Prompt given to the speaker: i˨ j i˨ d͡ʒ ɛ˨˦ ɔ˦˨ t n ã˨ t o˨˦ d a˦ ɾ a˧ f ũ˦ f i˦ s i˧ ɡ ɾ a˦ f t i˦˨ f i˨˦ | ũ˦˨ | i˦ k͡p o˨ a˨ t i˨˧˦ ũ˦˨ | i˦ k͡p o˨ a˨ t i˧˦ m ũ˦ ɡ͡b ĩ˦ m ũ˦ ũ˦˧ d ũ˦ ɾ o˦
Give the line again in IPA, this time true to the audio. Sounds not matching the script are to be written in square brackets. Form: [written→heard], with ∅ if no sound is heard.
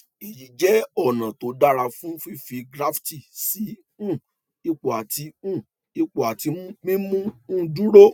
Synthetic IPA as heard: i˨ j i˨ d͡ʒ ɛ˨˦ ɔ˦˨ [t→∅] n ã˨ t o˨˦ d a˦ ɾ a˧ f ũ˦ f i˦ [s→f] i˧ ɡ ɾ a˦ f t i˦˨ [f→s] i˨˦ | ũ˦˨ | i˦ k͡p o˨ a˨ t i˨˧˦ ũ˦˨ | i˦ k͡p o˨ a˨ t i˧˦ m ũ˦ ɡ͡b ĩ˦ m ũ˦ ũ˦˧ d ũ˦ ɾ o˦